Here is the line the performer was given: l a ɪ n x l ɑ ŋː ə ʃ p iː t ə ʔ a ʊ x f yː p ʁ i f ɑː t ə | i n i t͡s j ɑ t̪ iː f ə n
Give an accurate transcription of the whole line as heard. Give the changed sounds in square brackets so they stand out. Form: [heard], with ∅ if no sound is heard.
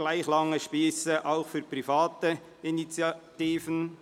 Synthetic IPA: l a ɪ [∅] x l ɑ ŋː ə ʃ p iː [s] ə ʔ a ʊ x f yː p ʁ i f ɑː t ə | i n i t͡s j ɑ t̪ iː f ə n